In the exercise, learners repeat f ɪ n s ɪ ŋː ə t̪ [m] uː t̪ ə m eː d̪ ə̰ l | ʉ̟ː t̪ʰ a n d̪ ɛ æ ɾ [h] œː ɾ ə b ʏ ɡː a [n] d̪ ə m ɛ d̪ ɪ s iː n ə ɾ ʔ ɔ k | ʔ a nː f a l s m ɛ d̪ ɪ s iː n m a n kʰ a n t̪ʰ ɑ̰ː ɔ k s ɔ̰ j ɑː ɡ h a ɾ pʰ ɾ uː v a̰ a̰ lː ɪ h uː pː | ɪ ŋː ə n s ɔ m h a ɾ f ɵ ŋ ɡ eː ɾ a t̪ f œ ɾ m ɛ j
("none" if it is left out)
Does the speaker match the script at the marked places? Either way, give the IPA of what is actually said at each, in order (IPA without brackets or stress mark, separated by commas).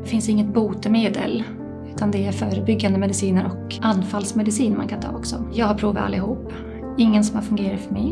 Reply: b, f, n